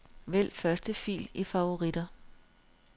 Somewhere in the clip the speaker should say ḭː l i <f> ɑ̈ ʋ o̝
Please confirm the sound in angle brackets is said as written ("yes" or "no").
yes